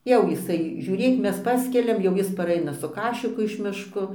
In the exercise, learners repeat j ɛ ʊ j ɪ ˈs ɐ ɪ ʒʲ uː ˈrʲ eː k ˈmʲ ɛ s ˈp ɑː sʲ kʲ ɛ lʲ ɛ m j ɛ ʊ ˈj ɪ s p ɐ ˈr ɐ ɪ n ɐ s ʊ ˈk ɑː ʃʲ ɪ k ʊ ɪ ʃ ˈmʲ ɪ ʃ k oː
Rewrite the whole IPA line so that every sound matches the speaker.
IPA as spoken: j ɛ ʊ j ɪ ˈs ɐ ɪ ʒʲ uː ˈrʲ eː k ˈmʲ ɛ s ˈp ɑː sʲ kʲ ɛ lʲ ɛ m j ɛ ʊ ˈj ɪ s p ɐ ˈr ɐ ɪ n ɐ s ʊ ˈk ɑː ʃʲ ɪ k ʊ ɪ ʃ ˈmʲ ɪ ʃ k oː